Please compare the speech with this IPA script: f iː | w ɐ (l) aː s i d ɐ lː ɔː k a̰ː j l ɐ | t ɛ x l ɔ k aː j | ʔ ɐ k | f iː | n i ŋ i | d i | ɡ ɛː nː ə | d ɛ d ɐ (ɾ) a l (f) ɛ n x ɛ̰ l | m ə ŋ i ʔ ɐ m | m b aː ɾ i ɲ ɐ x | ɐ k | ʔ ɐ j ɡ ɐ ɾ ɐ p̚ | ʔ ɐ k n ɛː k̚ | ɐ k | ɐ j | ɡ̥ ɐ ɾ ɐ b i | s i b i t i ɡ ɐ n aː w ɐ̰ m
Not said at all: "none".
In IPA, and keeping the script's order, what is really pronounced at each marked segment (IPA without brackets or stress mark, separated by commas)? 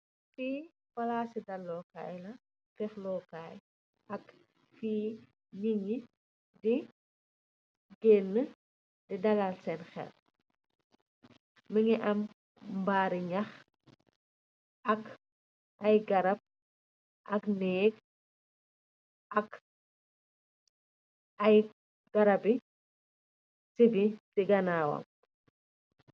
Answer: l, l, s